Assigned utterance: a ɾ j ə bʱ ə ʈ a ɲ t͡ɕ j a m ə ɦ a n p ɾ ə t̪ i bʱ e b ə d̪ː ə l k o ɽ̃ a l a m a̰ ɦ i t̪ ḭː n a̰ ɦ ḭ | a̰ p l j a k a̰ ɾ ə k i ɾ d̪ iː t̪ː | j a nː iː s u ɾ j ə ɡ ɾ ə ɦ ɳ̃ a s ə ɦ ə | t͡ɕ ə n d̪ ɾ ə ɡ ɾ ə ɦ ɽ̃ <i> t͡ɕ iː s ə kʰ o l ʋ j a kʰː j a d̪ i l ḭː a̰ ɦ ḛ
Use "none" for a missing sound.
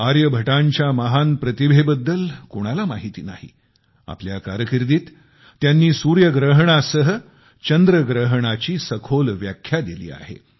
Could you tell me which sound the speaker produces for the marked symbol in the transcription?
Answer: a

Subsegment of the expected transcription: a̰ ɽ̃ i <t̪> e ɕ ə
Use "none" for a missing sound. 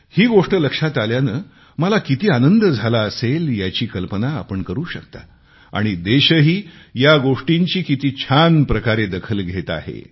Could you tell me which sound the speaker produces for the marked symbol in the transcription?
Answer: d̪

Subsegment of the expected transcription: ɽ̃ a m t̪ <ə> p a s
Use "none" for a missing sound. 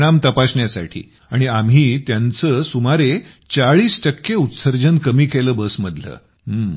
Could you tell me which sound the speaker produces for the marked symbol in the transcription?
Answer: ə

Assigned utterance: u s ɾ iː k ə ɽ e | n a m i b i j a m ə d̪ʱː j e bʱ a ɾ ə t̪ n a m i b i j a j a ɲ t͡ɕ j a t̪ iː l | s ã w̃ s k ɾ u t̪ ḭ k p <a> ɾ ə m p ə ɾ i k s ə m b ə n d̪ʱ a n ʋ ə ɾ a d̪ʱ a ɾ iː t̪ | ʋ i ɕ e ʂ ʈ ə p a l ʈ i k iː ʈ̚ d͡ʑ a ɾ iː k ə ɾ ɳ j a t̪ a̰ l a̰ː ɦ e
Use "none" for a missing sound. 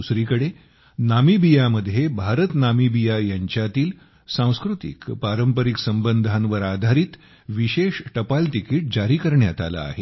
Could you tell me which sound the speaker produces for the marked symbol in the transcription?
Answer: a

